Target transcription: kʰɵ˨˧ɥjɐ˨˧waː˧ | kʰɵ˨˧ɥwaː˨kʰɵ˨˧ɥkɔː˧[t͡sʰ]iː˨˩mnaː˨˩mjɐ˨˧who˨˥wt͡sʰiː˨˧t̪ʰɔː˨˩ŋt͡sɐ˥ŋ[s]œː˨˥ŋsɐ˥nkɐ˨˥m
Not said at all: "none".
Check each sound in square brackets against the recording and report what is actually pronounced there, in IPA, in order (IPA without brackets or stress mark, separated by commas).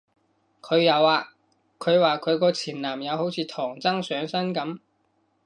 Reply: t͡sʰ, s